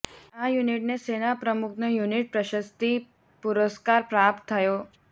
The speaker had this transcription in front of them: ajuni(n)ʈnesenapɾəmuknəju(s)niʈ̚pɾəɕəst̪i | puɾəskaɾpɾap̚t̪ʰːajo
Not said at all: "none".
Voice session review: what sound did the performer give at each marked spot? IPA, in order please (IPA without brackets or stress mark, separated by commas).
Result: none, none